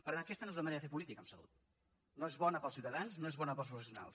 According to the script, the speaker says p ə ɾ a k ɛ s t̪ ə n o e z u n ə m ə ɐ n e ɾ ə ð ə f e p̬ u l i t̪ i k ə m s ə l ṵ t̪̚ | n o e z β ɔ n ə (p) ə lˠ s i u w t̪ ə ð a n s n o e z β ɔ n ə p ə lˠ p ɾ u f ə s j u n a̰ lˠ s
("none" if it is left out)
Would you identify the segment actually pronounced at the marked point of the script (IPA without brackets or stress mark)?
p